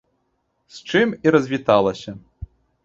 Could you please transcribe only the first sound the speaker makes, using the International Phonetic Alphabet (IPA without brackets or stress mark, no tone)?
s